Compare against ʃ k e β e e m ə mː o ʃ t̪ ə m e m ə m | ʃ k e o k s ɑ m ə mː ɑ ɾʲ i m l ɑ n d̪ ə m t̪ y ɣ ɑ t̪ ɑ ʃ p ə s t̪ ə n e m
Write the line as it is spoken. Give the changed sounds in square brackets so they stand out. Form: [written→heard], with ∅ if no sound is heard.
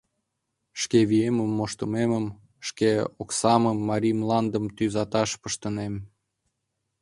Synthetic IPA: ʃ k e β [e→i] e m ə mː o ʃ t̪ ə m e m ə m | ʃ k e o k s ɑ m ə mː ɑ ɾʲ i m l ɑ n d̪ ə m t̪ y [ɣ→z] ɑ t̪ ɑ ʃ p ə [s→ʃ] t̪ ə n e m